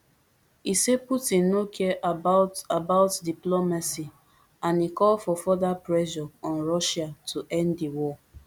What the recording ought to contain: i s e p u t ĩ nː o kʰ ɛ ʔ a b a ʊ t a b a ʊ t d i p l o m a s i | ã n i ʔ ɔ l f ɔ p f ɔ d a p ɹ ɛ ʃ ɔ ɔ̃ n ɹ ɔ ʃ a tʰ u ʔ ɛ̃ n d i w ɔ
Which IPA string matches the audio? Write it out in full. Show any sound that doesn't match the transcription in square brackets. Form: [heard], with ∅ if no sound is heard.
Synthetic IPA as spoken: i s e p u t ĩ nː o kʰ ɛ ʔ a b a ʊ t a b a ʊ t d i p l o m a s i | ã n i [k] ɔ l f ɔ [∅] f ɔ d a p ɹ ɛ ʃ ɔ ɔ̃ n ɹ ɔ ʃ a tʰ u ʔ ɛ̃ n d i w ɔ

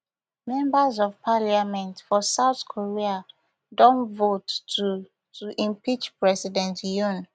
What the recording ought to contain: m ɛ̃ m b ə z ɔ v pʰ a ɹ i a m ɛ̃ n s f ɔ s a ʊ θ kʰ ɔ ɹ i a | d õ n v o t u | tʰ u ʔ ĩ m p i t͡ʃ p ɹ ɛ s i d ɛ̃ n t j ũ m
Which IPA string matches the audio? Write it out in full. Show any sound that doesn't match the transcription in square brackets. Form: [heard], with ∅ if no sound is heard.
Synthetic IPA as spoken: m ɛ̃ m b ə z ɔ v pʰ a [l] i a m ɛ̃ n [t] f ɔ s a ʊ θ kʰ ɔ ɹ i a | d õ n v o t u | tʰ u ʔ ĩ m p i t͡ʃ p ɹ ɛ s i d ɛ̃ n t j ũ [n]

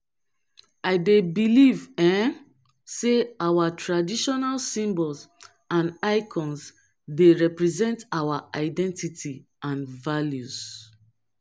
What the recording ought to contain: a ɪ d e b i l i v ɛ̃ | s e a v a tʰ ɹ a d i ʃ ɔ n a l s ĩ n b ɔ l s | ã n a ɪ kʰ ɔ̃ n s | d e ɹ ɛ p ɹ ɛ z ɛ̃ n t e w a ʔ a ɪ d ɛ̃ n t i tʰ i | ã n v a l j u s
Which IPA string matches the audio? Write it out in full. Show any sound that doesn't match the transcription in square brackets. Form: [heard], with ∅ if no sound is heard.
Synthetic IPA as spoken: a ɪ d e b i l i v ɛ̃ | s e a [w] a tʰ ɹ a d i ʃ ɔ n a l s ĩ [m] b ɔ l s | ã n a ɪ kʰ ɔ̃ n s | d e ɹ ɛ p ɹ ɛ z ɛ̃ n t [a] w a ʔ a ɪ d ɛ̃ n t i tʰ i | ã n v a l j u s

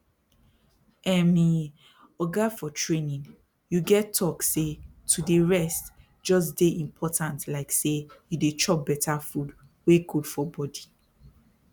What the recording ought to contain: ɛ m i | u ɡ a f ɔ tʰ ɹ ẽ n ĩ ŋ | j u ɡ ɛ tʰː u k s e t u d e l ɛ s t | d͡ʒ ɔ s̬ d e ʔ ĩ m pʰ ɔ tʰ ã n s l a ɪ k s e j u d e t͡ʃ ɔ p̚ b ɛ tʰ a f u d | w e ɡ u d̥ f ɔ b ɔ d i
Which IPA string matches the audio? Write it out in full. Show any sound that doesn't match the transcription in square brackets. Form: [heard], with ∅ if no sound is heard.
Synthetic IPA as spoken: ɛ m i | [ɔ] ɡ a f ɔ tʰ ɹ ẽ n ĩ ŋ | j u ɡ ɛ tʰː [ɔ] k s e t u d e [ɹ] ɛ s t | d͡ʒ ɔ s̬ d e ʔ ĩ m pʰ ɔ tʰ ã n [t] l a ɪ k s e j u d e t͡ʃ ɔ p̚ b ɛ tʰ a f u d | w e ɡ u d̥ f ɔ b ɔ d i

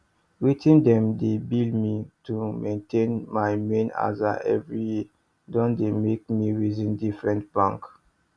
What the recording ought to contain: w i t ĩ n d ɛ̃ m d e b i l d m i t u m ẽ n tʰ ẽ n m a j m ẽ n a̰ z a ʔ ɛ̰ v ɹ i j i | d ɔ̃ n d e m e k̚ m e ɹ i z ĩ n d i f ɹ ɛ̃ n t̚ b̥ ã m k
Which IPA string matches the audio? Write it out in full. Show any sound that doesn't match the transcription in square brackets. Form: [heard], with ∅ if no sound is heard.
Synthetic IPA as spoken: w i t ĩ n d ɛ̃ m d e b i l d m i t u m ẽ n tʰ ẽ n m a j m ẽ n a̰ z a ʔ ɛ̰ v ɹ i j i | d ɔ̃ n d e m e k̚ m [i] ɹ i z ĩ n d i f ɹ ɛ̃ n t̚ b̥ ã [ŋ] k

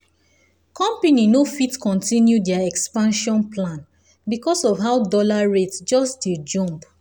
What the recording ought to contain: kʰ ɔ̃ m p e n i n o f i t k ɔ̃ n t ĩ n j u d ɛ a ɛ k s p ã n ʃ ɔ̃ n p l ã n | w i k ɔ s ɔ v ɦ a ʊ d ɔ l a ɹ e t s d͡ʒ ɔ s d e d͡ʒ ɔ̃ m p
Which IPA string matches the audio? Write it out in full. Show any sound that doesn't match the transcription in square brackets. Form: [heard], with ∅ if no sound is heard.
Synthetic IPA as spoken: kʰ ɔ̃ m p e n i n o f i t k ɔ̃ n t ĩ n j u d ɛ a ɛ k s p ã n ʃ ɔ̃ n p l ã n | [b] i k ɔ s ɔ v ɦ a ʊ d ɔ l a ɹ e t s d͡ʒ ɔ s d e d͡ʒ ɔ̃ m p

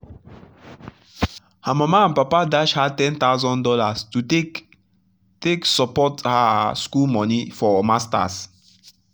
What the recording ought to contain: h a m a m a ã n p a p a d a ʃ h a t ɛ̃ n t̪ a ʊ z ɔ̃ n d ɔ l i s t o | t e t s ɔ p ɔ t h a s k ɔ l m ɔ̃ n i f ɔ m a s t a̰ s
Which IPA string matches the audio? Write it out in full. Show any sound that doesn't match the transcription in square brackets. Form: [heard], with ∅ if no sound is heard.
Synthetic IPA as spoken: h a m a m a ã n p a p a d a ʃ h a t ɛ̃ n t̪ a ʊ z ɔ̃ n d ɔ l [a] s t [u] | t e [k] s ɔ p ɔ t h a s k [u] l m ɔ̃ n i f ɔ m a s t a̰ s

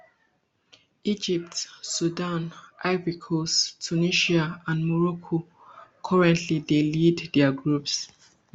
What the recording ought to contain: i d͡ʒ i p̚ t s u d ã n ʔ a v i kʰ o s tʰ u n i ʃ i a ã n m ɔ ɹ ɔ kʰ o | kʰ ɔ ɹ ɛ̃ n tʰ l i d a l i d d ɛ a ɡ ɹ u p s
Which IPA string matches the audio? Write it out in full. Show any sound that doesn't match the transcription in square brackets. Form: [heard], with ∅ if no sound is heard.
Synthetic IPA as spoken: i d͡ʒ i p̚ t s u d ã n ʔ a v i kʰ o s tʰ u n i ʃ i a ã n m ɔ ɹ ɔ kʰ o | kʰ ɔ ɹ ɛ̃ n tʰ l i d [e] l i d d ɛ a ɡ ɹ u p s

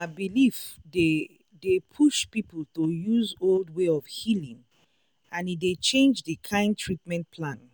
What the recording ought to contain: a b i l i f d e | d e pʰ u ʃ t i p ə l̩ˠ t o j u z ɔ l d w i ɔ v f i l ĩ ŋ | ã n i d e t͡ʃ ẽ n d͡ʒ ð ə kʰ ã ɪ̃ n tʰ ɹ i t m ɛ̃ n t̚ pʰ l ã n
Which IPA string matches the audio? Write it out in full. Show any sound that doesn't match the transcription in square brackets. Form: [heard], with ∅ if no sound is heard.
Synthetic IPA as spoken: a b i l i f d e | d e pʰ u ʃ [p] i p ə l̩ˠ t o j u z [o] l d w [e] ɔ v [h] i l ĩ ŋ | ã n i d e t͡ʃ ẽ n d͡ʒ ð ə kʰ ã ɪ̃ n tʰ ɹ i t m ɛ̃ n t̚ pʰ l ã n

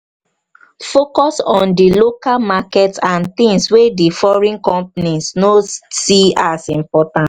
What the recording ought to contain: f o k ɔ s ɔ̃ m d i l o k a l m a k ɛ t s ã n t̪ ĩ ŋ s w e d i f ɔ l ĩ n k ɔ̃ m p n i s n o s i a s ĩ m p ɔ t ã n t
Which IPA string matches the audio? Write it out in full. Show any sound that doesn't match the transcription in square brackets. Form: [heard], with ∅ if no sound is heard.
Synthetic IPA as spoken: f o k ɔ s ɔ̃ [n] d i l o k a l m a k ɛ t s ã n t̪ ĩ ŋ s w e d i f ɔ [ɹ] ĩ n k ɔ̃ m p n i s n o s i a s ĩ m p ɔ t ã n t

